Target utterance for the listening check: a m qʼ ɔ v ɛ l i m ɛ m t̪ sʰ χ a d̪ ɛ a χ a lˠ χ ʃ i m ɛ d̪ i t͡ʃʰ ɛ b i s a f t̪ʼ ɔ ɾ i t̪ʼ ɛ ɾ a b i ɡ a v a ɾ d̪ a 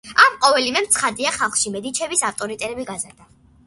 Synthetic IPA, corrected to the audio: a m qʼ ɔ v ɛ l i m ɛ m t̪ sʰ χ a d̪ i a χ a lˠ χ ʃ i m ɛ d̪ i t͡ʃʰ ɛ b i s a f t̪ʼ ɔ ɾ i t̪ʼ ɛ ɾ ɛ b i ɡ a z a ɾ d̪ a